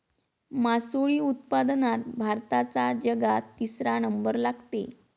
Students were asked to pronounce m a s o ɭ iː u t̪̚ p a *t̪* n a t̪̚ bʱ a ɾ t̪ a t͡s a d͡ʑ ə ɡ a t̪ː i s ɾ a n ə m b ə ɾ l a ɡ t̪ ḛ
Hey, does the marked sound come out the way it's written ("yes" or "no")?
no